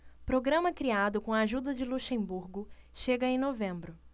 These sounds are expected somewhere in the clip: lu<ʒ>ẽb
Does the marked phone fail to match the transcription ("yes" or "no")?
yes